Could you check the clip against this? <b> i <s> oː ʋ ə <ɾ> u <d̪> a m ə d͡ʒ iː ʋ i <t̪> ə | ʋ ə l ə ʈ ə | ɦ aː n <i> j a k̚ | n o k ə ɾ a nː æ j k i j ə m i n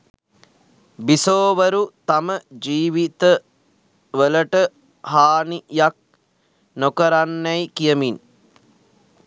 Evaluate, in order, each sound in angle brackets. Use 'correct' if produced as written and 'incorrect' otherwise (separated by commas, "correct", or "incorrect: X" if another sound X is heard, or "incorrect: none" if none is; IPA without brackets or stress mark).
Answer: correct, correct, correct, incorrect: t̪, correct, correct